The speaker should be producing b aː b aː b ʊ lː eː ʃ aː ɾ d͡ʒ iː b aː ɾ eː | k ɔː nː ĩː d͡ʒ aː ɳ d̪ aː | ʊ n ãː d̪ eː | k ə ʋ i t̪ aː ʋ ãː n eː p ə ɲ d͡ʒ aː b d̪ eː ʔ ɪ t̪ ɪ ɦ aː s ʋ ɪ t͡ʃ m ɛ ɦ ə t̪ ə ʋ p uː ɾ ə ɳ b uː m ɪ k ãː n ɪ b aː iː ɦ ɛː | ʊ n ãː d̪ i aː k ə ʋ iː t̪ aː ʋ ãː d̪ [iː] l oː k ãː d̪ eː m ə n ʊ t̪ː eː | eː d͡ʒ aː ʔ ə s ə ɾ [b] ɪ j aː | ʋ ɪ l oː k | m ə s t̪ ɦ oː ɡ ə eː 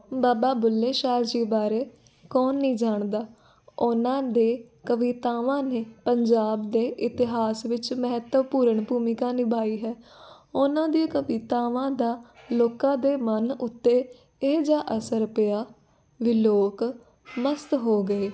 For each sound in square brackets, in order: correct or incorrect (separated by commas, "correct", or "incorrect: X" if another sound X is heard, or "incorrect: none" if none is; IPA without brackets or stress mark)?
incorrect: aː, incorrect: p